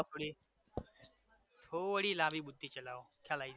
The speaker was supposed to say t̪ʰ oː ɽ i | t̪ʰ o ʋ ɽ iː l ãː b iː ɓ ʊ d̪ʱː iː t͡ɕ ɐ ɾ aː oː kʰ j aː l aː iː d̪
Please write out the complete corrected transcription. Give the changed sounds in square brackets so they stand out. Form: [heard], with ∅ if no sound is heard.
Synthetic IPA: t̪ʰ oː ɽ i | t̪ʰ o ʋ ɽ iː l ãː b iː ɓ ʊ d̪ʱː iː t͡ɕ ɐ [l] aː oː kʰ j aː l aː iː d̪